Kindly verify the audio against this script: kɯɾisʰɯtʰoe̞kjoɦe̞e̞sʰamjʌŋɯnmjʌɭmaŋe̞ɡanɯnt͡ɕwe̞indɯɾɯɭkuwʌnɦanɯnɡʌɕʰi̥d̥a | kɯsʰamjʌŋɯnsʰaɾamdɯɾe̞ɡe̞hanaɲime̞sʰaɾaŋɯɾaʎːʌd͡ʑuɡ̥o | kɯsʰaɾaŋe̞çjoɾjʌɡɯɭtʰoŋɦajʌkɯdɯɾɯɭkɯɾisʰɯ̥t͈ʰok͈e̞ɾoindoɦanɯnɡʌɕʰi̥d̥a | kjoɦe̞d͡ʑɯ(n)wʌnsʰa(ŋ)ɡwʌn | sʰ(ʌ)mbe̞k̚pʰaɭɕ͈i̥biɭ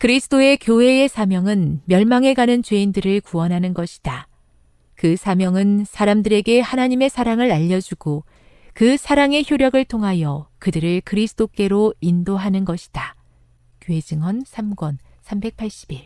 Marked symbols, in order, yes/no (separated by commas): no, no, no